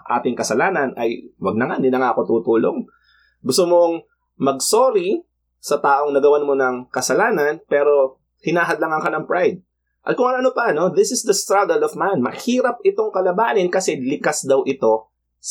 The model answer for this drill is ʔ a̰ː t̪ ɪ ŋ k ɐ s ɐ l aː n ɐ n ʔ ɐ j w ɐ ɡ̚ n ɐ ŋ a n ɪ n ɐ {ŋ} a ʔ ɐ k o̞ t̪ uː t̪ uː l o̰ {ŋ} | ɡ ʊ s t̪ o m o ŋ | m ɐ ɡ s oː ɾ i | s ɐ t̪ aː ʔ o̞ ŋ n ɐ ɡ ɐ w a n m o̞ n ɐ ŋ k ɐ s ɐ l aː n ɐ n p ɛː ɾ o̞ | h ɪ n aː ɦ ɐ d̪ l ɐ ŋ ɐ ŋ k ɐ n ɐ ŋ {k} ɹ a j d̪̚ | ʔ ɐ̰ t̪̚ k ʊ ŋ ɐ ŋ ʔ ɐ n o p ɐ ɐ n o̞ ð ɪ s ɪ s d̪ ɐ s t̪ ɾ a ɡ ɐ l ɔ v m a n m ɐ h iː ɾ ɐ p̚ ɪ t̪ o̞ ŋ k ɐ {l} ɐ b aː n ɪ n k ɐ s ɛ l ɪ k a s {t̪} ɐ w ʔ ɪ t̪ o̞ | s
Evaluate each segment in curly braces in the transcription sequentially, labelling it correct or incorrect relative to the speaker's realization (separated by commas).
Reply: correct, correct, incorrect, correct, incorrect